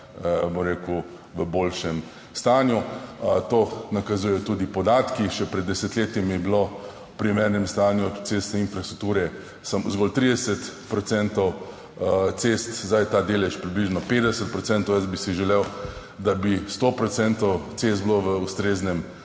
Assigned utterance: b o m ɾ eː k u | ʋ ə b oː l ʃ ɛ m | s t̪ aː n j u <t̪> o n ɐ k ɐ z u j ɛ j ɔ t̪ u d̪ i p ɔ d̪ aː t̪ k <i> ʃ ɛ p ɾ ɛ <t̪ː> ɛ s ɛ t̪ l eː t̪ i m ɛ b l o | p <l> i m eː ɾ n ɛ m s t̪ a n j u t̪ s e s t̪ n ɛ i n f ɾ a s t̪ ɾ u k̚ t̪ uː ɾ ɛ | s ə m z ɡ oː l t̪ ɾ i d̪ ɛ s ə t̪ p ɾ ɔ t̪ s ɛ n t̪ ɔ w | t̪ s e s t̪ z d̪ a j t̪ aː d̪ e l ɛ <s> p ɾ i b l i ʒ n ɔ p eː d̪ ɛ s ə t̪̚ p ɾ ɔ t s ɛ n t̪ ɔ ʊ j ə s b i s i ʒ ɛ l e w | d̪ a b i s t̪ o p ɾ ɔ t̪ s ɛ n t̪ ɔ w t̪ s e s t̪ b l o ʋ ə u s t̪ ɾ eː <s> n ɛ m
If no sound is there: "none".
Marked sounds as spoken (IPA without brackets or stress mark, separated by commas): t̪, i, d̪ː, ɾ, ʃ, z